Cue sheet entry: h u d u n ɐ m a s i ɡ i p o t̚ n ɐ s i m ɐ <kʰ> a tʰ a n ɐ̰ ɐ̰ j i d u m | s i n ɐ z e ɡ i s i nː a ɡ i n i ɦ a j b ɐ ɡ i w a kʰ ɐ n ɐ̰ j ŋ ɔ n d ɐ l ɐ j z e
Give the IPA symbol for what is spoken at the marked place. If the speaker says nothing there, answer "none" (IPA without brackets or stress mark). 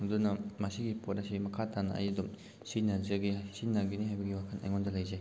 kʰ